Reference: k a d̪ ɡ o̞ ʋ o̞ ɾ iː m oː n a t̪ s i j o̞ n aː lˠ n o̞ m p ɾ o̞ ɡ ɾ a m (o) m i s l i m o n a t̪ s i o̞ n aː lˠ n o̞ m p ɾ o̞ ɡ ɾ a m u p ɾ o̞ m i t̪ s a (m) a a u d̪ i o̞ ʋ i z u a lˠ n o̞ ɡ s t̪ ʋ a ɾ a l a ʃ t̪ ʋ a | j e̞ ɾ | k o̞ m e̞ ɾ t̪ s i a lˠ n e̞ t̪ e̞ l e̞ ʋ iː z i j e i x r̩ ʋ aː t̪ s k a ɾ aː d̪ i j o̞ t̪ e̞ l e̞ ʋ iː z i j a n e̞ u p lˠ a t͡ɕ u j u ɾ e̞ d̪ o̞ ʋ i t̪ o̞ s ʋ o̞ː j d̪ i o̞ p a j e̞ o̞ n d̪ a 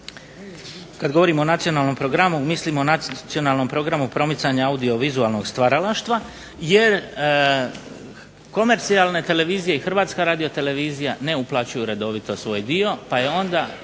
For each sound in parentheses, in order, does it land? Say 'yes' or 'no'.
no, no

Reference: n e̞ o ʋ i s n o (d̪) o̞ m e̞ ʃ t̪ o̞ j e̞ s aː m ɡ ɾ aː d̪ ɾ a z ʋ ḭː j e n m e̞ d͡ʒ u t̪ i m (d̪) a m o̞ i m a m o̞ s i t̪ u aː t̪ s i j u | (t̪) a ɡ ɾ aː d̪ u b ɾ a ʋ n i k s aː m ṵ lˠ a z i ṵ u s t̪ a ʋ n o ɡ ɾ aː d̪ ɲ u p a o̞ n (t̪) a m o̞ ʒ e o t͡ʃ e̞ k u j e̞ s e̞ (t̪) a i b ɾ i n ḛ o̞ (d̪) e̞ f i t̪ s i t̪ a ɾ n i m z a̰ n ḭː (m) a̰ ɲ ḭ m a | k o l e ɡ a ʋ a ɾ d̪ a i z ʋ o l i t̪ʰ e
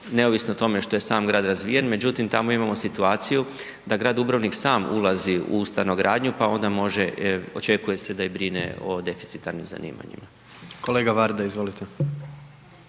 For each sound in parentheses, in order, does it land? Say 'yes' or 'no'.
no, no, no, no, no, yes, yes

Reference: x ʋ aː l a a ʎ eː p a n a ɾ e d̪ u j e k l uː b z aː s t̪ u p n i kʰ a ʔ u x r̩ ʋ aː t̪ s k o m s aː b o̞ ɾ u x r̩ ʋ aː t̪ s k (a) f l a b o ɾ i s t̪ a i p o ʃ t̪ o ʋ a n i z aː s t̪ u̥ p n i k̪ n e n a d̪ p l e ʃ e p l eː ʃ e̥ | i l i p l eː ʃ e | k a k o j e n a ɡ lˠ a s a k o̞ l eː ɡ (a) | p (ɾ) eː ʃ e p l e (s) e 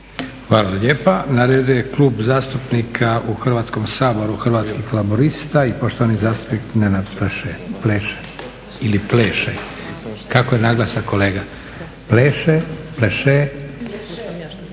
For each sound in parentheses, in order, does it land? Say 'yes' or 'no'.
no, yes, no, no

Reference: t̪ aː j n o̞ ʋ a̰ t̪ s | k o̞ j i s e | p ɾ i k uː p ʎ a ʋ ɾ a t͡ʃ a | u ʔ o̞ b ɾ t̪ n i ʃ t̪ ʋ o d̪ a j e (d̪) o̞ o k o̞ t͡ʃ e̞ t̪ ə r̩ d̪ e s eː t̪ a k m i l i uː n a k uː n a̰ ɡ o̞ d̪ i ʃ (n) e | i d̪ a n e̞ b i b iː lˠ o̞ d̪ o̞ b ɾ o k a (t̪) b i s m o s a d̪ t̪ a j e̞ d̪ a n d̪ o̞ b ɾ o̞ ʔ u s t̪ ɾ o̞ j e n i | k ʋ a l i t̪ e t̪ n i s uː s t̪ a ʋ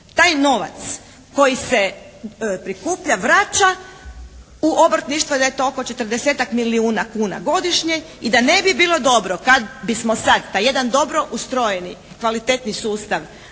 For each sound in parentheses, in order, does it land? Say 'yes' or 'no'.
no, no, no

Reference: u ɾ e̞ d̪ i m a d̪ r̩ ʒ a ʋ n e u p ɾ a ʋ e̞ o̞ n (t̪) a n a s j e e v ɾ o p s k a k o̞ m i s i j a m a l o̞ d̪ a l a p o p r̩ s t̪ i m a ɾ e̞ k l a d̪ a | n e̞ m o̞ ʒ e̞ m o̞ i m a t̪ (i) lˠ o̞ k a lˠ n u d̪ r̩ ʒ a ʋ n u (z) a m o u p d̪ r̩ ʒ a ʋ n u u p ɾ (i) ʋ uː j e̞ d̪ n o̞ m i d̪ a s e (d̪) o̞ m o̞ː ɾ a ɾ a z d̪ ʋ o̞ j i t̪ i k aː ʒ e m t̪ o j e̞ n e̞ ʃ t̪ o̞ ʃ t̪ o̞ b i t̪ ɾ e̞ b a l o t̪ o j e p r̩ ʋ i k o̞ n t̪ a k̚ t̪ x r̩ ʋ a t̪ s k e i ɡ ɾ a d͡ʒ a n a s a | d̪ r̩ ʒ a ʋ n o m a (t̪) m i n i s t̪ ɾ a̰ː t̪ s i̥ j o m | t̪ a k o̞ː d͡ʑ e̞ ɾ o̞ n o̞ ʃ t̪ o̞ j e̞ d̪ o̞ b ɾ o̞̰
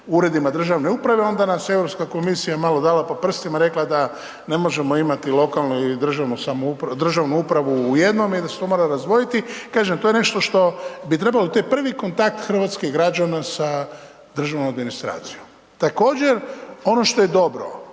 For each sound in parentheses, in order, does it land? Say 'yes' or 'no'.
no, yes, no, no, no, no

